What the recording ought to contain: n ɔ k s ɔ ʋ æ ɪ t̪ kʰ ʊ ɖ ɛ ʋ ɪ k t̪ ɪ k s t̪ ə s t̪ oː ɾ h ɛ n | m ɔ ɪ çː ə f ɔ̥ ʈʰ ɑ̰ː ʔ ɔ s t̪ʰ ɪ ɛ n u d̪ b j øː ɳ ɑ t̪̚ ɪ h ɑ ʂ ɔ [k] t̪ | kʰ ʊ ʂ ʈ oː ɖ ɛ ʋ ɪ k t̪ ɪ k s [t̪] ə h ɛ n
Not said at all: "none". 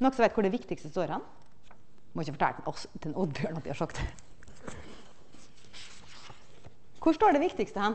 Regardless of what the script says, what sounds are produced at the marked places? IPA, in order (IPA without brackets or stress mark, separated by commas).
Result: k, t̪